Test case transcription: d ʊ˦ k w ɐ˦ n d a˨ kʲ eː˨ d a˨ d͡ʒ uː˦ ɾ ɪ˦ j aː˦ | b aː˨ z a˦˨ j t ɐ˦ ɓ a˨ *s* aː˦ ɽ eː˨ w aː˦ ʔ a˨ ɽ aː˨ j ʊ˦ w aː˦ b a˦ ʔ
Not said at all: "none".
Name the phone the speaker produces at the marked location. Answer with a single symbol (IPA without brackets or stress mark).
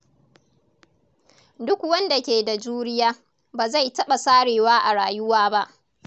s